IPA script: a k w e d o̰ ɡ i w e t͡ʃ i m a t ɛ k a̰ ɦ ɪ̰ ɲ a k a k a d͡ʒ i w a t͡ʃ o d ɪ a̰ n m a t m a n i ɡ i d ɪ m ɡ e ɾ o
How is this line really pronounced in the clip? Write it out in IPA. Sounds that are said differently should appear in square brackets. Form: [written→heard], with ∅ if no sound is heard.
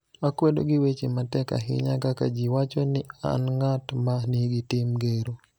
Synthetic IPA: a k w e d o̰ ɡ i w e t͡ʃ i m a t ɛ k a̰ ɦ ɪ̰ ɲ a k a k a d͡ʒ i w a t͡ʃ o [d→n] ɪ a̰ n [m→ŋ] a t m a n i ɡ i [d→t] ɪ m ɡ e ɾ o

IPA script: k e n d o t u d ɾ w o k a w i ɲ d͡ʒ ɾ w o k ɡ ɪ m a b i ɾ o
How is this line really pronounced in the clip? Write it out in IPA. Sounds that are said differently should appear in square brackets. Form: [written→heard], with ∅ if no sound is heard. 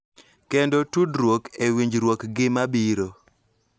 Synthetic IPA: k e n d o t u d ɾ w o k [a→e] w i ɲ d͡ʒ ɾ w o k ɡ ɪ m a b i ɾ o

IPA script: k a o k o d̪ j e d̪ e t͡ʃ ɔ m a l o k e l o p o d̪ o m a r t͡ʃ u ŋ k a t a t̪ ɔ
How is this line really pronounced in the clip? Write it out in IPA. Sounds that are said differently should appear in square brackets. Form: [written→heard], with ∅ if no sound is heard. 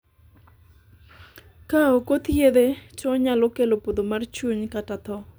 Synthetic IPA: k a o k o [d̪→t̪] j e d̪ e t͡ʃ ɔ [m→ɲ] a l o k e l o p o d̪ o m a r t͡ʃ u [ŋ→ɲ] k a t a t̪ ɔ

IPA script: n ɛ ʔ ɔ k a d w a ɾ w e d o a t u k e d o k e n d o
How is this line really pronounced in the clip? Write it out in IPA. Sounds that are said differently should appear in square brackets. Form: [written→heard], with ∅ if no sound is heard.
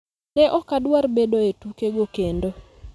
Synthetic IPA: n ɛ ʔ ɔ k a d w a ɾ [w→b] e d o [a→e] t u k e [d→ɡ] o k e n d o

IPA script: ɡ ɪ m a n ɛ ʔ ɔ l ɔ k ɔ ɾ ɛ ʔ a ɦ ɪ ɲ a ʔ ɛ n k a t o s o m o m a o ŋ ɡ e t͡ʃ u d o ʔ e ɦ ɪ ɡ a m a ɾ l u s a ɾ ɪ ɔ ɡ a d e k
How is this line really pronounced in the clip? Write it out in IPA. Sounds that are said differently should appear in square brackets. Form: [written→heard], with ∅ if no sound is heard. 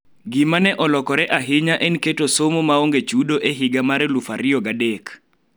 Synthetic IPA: ɡ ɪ m a n ɛ ʔ ɔ l ɔ k ɔ ɾ ɛ ʔ a ɦ ɪ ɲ a ʔ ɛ n k [a→e] t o s o m o m a o ŋ ɡ e t͡ʃ u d o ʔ e ɦ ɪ ɡ a m a ɾ l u [s→f] a ɾ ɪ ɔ ɡ a d e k

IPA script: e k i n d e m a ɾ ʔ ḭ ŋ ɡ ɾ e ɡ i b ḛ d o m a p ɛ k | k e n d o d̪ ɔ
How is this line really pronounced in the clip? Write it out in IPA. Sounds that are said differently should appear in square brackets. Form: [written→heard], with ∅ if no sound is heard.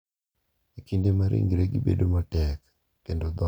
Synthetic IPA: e k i n d e m a ɾ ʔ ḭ ŋ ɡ ɾ e ɡ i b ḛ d o m a [p→t] ɛ k | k e n d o d̪ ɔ

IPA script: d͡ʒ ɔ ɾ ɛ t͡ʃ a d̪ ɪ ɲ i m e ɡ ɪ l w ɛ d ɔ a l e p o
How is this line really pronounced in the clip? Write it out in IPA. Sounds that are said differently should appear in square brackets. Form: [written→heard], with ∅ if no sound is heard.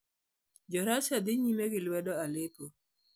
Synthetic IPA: d͡ʒ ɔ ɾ [ɛ→a] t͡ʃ a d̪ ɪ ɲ i m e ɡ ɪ l w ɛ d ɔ a l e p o

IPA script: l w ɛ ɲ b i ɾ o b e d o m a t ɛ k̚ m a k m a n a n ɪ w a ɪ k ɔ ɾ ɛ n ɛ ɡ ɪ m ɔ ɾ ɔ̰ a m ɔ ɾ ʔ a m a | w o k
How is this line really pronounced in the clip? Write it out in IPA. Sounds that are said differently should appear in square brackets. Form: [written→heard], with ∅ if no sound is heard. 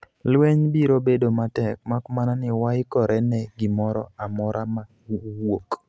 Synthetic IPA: l w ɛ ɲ b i ɾ o b e d o m a t ɛ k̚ m a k m a n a n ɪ w a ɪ k ɔ ɾ ɛ n ɛ ɡ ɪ m ɔ ɾ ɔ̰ a m ɔ ɾ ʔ a m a | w o k

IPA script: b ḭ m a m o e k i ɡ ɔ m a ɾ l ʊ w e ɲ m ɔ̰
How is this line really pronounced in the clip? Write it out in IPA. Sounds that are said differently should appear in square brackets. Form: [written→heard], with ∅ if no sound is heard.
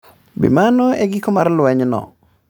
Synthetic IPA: b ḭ m a [m→n] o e [k→ɡ] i [ɡ→k] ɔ m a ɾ l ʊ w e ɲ [m→n] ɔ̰

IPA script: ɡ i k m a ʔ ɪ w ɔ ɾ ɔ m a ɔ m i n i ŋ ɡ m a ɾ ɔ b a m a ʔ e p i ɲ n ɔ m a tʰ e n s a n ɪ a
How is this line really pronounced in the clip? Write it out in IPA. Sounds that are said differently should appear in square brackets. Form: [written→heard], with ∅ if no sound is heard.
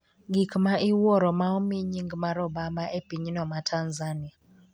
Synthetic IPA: ɡ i k m a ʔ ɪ w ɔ ɾ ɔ m a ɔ m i [n→ɲ] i ŋ ɡ m a ɾ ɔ b a m a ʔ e p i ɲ n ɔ m a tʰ [e→a] n [s→z] a n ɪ a

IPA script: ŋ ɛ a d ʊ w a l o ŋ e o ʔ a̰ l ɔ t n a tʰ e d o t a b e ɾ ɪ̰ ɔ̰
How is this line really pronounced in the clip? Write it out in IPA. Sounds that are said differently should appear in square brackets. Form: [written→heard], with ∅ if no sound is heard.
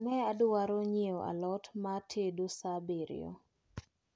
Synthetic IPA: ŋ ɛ a d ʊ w a [l→ɾ] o [ŋ→ɲ] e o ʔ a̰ l ɔ t [n→m] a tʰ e d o [t→s] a b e ɾ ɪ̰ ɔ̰

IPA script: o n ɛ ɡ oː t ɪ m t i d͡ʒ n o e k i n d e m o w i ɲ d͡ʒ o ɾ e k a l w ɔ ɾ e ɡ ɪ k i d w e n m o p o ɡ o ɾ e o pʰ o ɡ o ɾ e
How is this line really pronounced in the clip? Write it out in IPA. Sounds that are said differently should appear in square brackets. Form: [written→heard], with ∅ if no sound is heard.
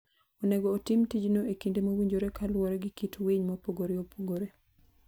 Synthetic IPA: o n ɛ ɡ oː t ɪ m t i d͡ʒ n o e k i n d e m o w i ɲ d͡ʒ o ɾ e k a l w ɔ ɾ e ɡ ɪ k i [d→t] w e [n→ɲ] m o p o ɡ o ɾ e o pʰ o ɡ o ɾ e

